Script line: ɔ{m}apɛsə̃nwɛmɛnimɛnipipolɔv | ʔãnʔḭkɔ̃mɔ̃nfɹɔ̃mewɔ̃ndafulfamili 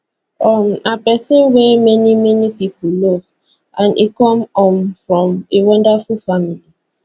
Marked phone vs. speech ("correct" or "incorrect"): correct